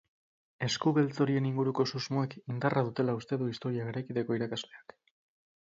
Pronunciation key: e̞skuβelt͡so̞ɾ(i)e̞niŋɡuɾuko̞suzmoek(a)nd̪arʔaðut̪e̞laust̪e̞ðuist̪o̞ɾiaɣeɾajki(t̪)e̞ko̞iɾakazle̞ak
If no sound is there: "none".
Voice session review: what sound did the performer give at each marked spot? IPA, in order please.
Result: i, i, t̪

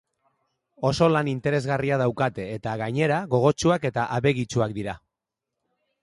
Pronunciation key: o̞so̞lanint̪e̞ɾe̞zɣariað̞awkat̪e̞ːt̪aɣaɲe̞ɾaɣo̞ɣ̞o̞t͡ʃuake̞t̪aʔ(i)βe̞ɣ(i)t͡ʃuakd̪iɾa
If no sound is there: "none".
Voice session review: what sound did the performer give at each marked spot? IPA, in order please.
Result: a, i

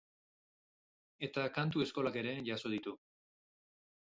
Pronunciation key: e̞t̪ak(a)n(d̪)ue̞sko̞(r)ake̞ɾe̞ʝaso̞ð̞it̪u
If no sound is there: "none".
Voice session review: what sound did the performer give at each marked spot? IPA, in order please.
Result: a, t̪, l

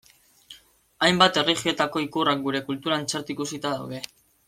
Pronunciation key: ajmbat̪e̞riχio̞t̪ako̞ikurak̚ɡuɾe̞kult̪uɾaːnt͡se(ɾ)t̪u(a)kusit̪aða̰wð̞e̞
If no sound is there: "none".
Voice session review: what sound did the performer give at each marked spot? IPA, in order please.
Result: ɾ, i

